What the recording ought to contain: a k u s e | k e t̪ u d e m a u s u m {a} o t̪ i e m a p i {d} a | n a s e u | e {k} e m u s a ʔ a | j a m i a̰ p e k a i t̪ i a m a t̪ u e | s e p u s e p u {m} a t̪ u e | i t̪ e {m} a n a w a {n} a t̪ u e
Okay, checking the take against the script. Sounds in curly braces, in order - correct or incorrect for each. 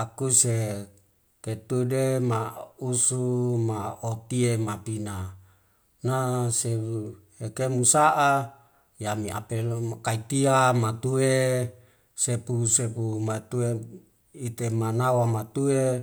correct, incorrect: n, correct, correct, correct, incorrect: m

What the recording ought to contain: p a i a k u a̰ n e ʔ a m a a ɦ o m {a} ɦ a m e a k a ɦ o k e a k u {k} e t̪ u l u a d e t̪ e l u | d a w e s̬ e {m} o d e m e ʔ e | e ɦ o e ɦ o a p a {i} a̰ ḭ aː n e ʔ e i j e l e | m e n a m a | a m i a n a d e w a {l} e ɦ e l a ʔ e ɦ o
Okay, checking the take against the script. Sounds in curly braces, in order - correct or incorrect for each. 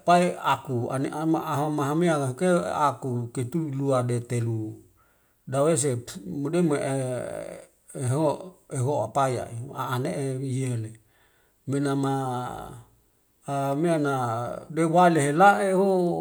correct, correct, correct, incorrect: j, correct

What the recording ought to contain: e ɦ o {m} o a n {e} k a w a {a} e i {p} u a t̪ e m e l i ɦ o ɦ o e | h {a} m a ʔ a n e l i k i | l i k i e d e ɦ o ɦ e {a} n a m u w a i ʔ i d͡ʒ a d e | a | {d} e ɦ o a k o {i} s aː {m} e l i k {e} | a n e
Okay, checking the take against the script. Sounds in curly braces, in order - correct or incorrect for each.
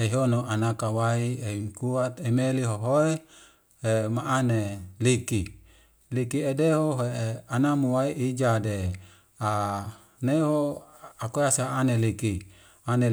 incorrect: n, incorrect: a, incorrect: i, incorrect: k, incorrect: e, correct, incorrect: n, incorrect: a, incorrect: n, incorrect: i

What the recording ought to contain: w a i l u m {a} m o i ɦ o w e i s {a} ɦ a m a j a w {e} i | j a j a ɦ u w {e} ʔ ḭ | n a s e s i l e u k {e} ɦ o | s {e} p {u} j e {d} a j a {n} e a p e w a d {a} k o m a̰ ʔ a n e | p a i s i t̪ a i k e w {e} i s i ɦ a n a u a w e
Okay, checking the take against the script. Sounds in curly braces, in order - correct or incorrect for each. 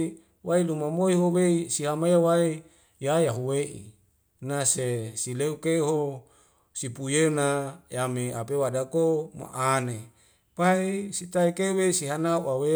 correct, incorrect: i, incorrect: a, correct, correct, incorrect: i, correct, incorrect: n, incorrect: m, correct, correct

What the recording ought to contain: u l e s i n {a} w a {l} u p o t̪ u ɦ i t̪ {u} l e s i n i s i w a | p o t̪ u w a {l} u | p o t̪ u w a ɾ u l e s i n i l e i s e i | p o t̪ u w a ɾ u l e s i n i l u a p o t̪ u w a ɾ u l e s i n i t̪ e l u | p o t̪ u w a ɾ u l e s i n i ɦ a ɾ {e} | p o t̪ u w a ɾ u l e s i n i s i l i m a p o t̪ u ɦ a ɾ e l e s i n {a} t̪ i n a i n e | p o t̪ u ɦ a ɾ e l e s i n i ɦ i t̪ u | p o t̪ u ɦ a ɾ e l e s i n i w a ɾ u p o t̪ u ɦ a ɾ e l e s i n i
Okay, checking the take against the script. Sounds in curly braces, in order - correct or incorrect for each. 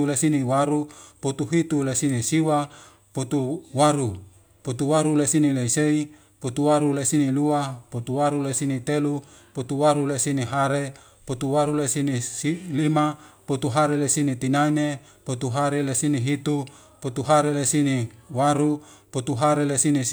incorrect: i, incorrect: ɾ, correct, incorrect: ɾ, correct, incorrect: i

